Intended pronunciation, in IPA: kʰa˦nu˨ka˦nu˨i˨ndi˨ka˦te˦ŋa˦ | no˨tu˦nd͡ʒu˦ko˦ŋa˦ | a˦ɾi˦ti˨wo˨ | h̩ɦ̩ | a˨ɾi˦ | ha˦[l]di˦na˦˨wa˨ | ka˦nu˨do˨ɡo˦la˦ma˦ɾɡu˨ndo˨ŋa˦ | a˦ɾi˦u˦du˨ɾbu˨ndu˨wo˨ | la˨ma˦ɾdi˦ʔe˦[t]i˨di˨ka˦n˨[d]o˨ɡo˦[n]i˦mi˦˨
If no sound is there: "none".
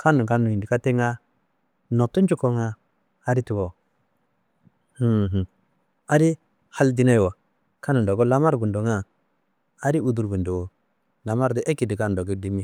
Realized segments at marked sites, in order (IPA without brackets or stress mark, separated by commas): l, k, d, d